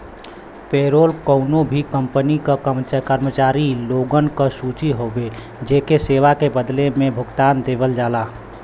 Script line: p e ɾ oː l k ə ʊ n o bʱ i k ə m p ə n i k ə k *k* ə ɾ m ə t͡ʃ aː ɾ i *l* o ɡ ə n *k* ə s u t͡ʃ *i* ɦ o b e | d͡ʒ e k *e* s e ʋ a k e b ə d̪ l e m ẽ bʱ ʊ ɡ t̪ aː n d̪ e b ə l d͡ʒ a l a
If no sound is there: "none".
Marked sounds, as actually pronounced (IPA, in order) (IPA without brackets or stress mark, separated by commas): k, l, k, i, e